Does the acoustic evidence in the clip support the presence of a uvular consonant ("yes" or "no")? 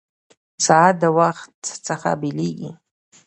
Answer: yes